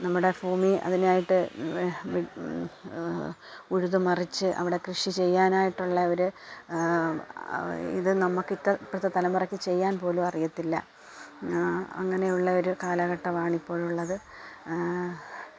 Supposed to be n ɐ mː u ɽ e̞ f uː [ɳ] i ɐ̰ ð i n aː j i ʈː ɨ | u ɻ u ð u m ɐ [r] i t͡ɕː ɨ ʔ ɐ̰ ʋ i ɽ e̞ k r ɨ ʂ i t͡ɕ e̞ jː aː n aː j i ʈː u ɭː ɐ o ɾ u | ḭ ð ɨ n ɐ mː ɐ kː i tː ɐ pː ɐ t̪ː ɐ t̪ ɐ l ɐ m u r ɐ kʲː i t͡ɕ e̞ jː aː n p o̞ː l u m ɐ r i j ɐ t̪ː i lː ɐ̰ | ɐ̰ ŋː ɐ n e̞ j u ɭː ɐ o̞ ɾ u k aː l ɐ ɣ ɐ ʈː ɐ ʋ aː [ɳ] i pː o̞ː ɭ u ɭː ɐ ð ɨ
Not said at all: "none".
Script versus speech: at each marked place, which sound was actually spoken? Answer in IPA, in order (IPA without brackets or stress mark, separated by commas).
m, r, ɳ